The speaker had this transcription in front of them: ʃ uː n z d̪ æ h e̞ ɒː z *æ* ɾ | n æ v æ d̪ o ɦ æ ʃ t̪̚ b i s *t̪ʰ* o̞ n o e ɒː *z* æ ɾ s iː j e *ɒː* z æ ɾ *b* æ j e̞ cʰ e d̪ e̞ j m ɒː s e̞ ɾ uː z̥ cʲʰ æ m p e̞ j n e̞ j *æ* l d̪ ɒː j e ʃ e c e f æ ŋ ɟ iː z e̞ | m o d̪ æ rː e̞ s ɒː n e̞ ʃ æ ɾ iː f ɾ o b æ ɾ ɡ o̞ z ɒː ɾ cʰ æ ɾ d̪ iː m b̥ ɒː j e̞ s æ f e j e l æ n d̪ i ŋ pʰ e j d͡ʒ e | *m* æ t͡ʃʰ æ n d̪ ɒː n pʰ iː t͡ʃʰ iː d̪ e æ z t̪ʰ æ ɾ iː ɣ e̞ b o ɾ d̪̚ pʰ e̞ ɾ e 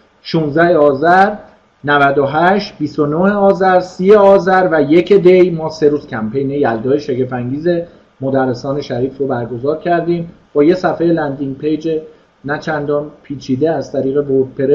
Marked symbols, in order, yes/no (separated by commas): yes, no, yes, yes, no, yes, no